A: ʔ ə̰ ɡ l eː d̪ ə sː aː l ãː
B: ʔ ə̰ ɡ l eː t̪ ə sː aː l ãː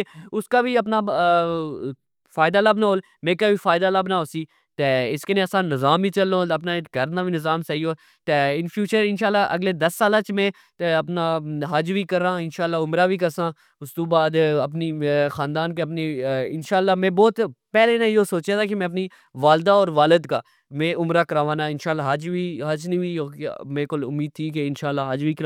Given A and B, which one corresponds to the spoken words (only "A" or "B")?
A